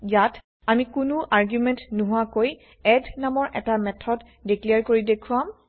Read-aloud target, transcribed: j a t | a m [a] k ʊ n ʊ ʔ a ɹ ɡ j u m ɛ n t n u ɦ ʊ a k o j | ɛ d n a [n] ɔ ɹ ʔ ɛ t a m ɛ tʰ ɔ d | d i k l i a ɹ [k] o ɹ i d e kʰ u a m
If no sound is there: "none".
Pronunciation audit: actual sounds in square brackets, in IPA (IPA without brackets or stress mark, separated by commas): i, m, k